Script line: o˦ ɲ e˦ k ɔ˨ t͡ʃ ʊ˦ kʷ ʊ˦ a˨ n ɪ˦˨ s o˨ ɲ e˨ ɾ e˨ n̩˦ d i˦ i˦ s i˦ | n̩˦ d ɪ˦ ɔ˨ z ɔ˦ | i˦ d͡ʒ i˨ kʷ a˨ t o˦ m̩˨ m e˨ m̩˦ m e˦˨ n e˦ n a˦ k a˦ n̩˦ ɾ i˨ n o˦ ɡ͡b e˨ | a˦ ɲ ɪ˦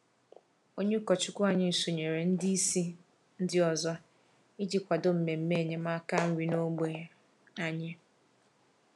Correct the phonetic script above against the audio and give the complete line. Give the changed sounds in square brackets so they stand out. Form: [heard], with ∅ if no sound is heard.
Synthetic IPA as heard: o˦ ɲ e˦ k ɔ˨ t͡ʃ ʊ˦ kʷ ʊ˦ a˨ [ɲ] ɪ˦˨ s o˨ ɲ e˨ ɾ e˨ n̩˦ d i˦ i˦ s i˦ | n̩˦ d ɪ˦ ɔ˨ z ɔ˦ | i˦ d͡ʒ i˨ kʷ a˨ [d] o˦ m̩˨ m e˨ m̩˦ m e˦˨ [ɲ] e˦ [m] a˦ k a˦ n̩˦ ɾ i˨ n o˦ ɡ͡b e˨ | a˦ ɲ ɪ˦